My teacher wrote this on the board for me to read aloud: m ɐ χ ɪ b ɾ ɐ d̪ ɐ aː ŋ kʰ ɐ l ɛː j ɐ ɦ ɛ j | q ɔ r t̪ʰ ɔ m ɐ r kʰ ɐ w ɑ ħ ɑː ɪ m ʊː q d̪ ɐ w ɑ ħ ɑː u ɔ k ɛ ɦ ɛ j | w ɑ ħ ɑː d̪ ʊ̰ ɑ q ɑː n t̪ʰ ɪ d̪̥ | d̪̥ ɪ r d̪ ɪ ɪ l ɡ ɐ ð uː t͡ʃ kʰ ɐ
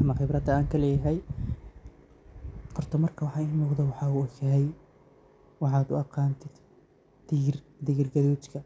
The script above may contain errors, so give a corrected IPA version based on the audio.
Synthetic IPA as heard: m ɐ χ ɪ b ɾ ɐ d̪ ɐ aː ŋ kʰ ɐ l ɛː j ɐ ɦ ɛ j | q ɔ r t̪ʰ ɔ m ɐ r kʰ ɐ w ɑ ħ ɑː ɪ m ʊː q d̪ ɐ w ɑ ħ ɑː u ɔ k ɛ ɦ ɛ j | w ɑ ħ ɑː d̪ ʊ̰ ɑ q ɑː n t̪ʰ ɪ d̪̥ | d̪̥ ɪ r d̪ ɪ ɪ r ɡ ɐ ð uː t͡ʃ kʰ ɐ